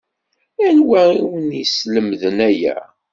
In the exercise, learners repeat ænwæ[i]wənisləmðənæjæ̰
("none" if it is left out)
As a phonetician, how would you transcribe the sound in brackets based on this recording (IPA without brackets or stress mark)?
i